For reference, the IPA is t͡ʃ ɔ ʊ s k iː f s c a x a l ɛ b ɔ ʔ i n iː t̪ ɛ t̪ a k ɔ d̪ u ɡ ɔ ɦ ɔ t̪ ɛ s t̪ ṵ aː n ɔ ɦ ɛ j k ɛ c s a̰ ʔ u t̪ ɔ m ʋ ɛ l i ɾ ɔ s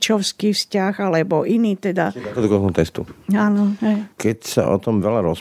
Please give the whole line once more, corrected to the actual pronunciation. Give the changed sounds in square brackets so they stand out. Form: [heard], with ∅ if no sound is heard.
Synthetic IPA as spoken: t͡ʃ ɔ ʊ s k iː f s c a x a l ɛ b ɔ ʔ i n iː t̪ ɛ [d̪] a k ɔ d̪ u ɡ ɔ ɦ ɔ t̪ ɛ s t̪ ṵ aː n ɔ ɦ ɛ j k ɛ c s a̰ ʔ [ɔ] t̪ ɔ m ʋ ɛ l [a] ɾ ɔ s